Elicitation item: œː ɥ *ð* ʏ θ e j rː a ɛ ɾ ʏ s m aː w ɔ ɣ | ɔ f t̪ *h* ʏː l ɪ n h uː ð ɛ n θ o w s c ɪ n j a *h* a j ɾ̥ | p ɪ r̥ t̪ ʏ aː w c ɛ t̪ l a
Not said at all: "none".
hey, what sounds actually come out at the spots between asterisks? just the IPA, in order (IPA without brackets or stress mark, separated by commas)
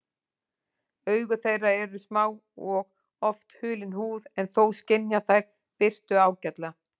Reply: ɣ, h, θ